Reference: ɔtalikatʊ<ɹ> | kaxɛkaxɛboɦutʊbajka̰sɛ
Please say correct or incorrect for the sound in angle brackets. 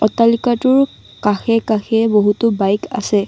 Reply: correct